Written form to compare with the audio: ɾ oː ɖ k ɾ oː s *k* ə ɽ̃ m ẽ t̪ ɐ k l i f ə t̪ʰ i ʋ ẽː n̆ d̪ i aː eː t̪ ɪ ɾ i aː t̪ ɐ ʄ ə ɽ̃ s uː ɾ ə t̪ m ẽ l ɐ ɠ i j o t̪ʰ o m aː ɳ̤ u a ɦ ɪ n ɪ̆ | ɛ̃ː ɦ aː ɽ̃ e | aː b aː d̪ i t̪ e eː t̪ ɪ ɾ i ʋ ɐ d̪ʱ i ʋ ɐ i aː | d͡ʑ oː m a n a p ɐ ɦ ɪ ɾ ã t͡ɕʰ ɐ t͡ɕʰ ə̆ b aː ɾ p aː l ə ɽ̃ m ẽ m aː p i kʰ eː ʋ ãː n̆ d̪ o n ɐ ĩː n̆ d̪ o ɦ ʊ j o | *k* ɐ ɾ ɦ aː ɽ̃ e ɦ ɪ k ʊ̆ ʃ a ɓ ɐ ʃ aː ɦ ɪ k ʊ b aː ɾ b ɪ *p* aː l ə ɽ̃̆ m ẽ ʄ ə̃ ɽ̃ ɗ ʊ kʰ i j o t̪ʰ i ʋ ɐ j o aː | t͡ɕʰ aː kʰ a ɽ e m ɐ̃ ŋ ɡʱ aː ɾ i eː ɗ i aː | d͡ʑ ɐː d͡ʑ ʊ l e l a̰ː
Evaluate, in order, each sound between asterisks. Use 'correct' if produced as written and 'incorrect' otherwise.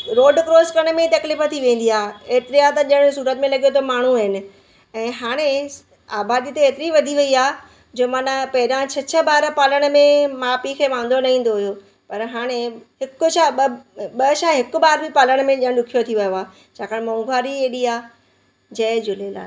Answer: correct, incorrect, correct

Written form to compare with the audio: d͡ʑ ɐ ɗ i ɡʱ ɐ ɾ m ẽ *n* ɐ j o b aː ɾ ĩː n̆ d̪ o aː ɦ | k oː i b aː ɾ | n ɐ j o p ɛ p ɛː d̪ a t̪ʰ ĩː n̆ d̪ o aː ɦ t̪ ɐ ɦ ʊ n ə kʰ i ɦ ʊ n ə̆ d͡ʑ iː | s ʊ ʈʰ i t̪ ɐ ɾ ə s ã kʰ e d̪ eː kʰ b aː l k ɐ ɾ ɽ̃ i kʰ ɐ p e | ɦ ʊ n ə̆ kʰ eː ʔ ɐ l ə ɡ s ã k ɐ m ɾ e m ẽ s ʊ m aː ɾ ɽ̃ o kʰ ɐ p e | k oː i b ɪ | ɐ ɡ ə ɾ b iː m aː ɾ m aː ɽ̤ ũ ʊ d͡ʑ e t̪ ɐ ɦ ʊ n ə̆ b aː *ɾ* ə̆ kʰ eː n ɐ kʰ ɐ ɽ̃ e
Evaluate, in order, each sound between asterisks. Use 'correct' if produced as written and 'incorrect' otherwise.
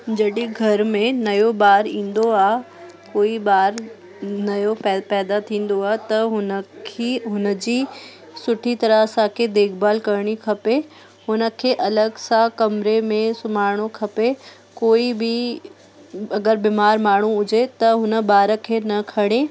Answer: correct, correct

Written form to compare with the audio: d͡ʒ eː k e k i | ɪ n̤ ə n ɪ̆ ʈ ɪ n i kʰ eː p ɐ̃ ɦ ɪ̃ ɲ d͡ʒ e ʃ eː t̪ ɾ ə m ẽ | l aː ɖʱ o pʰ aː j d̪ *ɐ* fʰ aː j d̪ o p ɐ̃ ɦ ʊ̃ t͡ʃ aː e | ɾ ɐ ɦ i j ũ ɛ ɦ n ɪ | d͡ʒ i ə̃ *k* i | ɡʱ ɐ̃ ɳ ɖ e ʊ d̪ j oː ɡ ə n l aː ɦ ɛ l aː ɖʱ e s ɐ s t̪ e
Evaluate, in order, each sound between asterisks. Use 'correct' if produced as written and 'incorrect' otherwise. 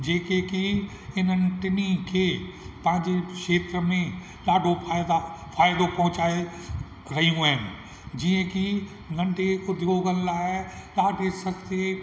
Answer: incorrect, correct

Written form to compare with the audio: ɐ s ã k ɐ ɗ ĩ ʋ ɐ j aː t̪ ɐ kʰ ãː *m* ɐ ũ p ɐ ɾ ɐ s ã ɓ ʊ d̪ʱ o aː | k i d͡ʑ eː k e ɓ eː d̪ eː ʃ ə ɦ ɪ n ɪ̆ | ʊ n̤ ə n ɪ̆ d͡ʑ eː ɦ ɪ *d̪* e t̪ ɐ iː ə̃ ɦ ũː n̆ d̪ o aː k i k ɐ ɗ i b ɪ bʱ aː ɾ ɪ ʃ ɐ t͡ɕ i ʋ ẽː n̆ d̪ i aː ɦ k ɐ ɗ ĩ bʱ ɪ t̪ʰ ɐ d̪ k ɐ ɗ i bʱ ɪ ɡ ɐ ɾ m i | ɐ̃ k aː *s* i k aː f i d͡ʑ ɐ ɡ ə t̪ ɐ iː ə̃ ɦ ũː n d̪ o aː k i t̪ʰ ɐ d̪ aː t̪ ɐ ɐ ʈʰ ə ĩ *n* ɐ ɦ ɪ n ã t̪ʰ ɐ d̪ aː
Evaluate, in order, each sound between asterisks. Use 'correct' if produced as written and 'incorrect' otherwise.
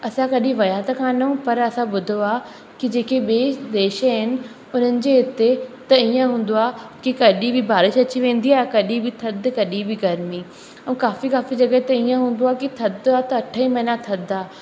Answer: incorrect, incorrect, incorrect, incorrect

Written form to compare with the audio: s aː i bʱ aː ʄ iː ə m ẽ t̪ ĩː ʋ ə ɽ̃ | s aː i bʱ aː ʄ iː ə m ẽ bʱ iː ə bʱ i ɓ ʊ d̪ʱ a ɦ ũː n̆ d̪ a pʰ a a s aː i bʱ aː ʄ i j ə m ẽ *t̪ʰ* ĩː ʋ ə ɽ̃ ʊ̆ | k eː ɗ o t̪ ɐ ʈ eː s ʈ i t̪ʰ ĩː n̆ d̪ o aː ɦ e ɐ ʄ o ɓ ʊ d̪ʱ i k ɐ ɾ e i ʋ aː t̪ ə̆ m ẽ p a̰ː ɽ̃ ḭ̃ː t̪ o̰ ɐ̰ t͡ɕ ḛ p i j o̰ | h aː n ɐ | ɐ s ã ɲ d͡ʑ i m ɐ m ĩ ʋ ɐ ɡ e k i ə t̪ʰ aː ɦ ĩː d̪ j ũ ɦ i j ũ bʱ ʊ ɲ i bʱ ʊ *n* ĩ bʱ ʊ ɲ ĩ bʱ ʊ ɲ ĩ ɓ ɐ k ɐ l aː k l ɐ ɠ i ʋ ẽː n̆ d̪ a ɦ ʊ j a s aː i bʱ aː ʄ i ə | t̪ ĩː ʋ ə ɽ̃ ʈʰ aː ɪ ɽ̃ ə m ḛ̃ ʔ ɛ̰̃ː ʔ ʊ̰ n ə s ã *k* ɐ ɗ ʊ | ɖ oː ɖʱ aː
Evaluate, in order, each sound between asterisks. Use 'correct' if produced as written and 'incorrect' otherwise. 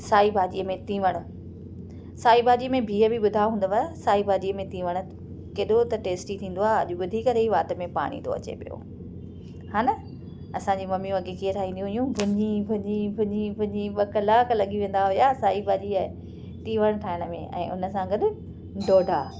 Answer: incorrect, incorrect, incorrect

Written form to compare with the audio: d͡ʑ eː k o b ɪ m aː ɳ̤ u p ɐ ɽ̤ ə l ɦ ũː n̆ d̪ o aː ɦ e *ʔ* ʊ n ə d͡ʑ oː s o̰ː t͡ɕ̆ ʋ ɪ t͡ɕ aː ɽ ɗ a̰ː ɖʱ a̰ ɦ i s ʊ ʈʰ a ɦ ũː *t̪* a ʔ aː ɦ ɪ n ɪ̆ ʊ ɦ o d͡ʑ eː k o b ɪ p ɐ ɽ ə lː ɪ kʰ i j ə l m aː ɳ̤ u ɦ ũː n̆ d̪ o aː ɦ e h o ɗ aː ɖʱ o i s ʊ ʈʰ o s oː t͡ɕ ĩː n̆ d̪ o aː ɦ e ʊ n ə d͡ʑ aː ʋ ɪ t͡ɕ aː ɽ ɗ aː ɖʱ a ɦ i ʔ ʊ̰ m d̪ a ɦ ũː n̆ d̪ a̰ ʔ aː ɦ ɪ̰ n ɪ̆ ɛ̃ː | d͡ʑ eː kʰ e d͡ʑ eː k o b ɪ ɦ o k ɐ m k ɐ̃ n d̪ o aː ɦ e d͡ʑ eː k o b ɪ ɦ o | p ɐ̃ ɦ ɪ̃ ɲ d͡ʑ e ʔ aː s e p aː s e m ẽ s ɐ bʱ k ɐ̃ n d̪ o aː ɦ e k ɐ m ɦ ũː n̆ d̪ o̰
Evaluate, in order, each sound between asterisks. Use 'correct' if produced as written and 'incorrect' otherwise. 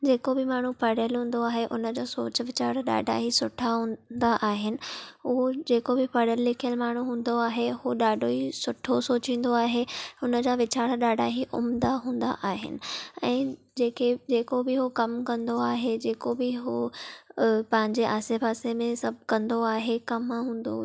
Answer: correct, incorrect

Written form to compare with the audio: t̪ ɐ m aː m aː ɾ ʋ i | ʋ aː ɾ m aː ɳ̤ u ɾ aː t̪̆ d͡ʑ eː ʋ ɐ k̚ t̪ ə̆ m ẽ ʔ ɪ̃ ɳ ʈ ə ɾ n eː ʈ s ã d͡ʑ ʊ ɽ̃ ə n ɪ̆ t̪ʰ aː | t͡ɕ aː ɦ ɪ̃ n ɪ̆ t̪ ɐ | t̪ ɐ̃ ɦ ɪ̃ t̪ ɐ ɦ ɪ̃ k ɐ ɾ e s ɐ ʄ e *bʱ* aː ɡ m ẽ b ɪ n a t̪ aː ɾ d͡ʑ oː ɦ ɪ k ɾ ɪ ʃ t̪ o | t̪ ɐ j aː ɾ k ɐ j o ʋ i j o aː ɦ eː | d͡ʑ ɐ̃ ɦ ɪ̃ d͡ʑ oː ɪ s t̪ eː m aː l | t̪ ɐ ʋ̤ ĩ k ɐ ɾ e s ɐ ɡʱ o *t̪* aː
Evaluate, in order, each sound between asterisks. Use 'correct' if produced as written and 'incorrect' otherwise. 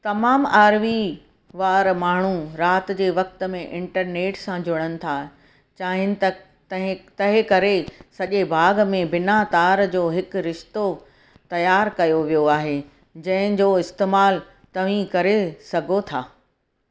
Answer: correct, incorrect

